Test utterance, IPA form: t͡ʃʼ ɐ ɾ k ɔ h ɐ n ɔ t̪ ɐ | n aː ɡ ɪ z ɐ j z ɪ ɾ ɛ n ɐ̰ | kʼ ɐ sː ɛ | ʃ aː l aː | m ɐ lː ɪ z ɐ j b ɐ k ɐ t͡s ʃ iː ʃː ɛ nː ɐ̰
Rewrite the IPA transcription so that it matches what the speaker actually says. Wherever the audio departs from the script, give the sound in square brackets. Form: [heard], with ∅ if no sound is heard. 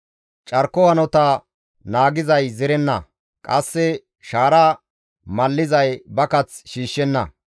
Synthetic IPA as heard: t͡ʃʼ ɐ ɾ k ɔ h ɐ n ɔ t̪ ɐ | n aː ɡ ɪ z ɐ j z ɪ ɾ ɛ [nː] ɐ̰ | kʼ ɐ sː ɛ | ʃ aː [ɾ] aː | m ɐ lː ɪ z ɐ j b ɐ k ɐ t͡s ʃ iː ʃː ɛ nː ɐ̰